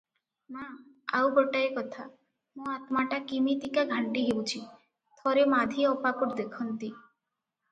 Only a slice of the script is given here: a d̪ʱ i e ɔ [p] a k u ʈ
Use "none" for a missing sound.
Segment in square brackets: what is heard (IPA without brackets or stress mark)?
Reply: p